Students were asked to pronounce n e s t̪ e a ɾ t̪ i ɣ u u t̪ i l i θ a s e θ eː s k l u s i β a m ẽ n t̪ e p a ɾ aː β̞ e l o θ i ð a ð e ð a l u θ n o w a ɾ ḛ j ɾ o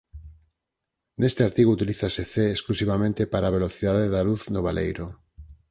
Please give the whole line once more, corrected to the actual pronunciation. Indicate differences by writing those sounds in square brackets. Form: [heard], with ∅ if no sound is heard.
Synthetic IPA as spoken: n e s t̪ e a ɾ t̪ i ɣ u u t̪ i l i θ a s e θ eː s k l u s i β a m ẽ n t̪ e p a ɾ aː β̞ e l o θ i ð a ð e ð a l u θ n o [β] a [l] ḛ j ɾ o